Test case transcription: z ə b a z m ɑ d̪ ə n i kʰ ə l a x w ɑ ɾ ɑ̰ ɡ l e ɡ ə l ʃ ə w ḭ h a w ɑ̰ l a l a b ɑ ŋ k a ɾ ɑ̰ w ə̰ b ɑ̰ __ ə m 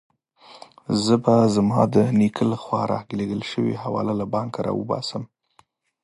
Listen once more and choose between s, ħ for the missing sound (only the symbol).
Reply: s